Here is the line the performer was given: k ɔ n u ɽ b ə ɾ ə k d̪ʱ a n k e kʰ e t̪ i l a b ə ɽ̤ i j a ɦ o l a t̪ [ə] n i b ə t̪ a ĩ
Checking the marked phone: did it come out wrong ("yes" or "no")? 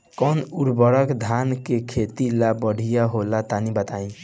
yes